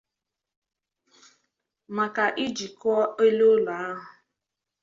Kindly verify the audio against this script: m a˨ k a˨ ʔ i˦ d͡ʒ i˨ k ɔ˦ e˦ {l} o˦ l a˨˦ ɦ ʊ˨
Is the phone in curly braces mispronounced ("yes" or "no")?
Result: no